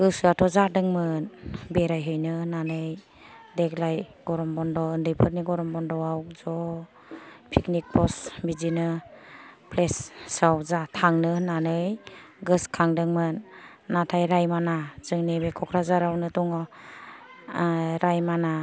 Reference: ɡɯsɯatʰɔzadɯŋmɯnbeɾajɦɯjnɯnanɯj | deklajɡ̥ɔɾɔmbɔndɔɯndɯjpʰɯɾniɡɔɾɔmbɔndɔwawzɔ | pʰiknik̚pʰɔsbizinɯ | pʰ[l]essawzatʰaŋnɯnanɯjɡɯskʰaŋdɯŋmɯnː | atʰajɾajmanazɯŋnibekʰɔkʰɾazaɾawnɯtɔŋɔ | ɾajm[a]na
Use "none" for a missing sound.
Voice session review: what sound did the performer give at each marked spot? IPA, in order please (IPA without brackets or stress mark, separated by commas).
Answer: l, a